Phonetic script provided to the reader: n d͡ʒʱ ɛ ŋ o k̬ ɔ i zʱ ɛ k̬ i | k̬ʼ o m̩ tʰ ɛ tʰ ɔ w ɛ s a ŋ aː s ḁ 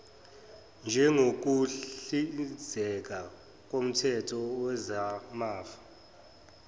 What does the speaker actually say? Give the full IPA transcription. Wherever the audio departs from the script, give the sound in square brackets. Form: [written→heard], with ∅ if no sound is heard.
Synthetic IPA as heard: n d͡ʒʱ ɛ ŋ o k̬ [ɔ→u] i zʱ ɛ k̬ [i→a] | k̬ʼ o m̩ tʰ ɛ tʰ ɔ w ɛ [s→z] a [ŋ→m] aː [s→f] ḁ

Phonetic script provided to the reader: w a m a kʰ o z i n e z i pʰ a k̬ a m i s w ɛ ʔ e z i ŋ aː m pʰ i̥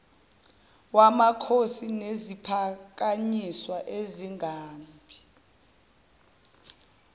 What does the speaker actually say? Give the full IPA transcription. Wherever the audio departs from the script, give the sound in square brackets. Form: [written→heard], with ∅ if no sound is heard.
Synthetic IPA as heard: w a m a kʰ o [z→s] i n e z i pʰ a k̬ a [m→ɲ] i s w [ɛ→a] ʔ e z i ŋ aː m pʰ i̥

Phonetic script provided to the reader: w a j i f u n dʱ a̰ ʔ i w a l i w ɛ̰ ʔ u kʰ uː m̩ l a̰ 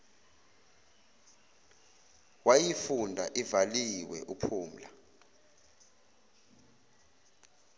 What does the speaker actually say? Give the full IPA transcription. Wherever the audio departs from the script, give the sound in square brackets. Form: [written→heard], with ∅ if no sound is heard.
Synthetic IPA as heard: w a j i f u n dʱ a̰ ʔ i [w→v] a l i w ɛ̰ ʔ u [kʰ→pʰ] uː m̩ l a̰

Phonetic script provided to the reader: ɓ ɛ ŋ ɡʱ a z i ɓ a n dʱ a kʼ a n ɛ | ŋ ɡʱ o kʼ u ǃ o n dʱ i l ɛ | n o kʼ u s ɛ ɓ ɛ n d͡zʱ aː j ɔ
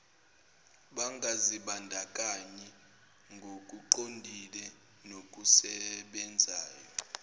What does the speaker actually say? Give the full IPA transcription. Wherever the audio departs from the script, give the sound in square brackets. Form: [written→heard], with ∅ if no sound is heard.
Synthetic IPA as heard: ɓ [ɛ→a] ŋ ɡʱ a z i ɓ a n dʱ a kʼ a [n→ɲ] ɛ | ŋ ɡʱ o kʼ u ǃ o n dʱ i l ɛ | n o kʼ u s ɛ ɓ ɛ n d͡zʱ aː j ɔ

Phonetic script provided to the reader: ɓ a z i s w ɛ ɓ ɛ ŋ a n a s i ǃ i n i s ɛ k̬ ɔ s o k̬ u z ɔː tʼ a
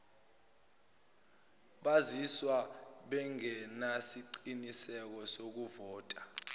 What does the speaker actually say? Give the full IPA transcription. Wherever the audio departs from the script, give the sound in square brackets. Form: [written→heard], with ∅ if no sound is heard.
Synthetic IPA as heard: ɓ a z i s w [ɛ→a] ɓ ɛ ŋ [a→ɛ] n a s i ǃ i n i s ɛ k̬ ɔ s o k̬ u [z→v] ɔː tʼ a

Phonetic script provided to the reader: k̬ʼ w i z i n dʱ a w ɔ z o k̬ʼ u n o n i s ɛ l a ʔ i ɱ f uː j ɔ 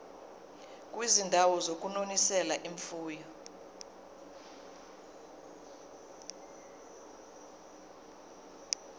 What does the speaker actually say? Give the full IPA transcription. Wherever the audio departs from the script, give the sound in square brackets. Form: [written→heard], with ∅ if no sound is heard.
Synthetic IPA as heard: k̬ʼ w i z i n dʱ a w ɔ z o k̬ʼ u n o n i s ɛ l a ʔ i ɱ f uː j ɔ

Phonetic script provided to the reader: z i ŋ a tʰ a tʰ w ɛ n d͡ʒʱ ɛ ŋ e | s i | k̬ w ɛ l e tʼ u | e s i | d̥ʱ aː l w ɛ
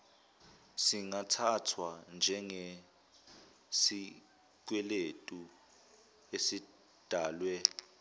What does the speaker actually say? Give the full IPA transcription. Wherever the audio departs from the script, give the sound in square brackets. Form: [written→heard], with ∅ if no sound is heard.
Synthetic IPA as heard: [z→s] i ŋ a tʰ a tʰ w [ɛ→a] n d͡ʒʱ ɛ ŋ e | s i | k̬ w ɛ l e tʼ u | e s i | d̥ʱ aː l w ɛ

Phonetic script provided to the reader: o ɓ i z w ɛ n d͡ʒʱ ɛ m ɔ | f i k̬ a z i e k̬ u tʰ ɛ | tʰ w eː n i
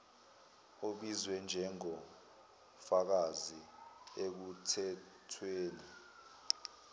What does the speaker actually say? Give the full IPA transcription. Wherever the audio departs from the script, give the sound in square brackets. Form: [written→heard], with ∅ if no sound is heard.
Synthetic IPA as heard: o ɓ i z w ɛ n d͡ʒʱ ɛ [m→ŋ] ɔ | f [i→a] k̬ a z i e k̬ u tʰ ɛ | tʰ w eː n i

